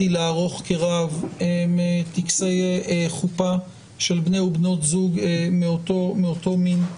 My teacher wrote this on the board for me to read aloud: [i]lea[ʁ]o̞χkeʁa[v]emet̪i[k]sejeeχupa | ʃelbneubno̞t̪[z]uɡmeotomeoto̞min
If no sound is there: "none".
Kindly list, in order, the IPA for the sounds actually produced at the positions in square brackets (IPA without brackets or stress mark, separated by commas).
i, ʁ, v, k, z